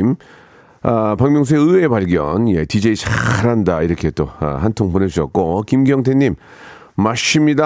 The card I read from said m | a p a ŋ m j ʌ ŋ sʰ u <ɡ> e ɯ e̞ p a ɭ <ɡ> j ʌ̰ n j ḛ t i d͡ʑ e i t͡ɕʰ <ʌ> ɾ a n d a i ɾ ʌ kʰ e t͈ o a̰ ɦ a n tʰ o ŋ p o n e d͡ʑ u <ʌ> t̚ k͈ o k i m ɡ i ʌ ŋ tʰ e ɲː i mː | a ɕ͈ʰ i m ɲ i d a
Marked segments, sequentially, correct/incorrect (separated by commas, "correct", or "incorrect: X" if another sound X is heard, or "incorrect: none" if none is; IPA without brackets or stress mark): incorrect: none, correct, incorrect: a, correct